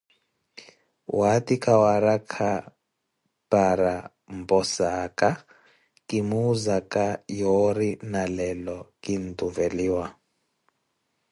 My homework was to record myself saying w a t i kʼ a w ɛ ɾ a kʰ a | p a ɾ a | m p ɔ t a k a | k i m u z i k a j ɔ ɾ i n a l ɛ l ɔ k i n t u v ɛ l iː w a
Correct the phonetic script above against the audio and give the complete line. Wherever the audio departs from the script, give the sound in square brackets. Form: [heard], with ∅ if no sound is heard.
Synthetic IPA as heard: w a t i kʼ a w [a] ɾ a kʰ a | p a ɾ a | m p ɔ [s] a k a | k i m u z [a] k a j ɔ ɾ i n a l ɛ l ɔ k i n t u v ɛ l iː w a